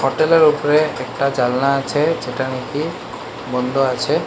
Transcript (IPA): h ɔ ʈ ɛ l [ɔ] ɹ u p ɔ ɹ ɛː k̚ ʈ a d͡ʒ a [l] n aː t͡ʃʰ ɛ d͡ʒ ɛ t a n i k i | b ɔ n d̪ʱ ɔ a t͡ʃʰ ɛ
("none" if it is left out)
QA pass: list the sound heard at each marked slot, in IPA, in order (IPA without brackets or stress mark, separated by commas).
ɔ, l